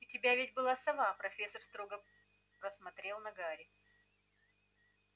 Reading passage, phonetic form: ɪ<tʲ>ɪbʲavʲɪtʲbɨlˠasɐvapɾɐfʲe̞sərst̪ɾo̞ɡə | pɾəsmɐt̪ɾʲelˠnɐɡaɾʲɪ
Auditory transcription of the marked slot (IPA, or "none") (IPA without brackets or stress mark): tʲ